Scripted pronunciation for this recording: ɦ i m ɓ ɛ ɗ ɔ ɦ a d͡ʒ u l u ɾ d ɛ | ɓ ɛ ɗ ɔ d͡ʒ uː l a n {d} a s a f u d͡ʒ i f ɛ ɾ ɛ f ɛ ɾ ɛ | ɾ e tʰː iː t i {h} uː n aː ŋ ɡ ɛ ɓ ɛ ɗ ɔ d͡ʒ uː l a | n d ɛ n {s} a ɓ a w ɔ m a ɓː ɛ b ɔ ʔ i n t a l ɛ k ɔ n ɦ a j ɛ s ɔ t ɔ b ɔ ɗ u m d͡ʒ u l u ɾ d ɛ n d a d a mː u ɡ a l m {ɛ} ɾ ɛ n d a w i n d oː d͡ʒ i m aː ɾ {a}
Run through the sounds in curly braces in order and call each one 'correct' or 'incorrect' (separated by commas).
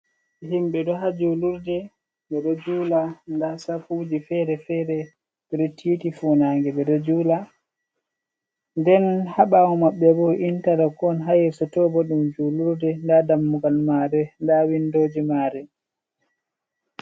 correct, incorrect, incorrect, incorrect, incorrect